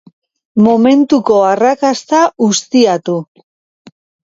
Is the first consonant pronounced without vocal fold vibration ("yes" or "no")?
no